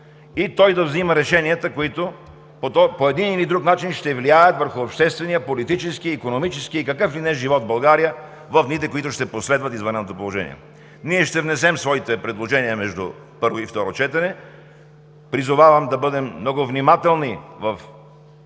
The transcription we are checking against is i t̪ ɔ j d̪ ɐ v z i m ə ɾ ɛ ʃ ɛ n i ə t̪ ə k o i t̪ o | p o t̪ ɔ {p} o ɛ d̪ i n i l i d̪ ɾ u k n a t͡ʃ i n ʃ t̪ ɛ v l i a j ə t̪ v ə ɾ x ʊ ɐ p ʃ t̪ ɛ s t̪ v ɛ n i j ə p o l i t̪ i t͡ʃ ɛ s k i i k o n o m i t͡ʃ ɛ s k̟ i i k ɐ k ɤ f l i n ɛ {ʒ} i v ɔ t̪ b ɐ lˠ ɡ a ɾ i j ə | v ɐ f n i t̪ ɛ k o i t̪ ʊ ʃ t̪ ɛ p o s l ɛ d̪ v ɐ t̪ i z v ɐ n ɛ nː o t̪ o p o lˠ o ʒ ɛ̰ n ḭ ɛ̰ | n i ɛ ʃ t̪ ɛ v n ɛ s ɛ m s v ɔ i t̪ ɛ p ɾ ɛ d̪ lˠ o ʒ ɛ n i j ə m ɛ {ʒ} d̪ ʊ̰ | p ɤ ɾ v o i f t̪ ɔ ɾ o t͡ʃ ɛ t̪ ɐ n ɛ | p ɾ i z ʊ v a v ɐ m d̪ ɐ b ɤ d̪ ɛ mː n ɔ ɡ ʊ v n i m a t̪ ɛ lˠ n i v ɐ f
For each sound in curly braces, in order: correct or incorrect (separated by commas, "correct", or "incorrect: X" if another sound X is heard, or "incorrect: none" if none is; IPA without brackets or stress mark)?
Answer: correct, correct, correct